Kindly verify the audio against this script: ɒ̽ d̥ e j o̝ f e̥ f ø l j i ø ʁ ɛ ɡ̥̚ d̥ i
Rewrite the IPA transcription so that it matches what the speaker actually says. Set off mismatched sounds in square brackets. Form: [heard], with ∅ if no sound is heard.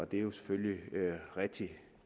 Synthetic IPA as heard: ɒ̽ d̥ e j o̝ [s] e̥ f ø l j i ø ʁ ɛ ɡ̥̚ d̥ i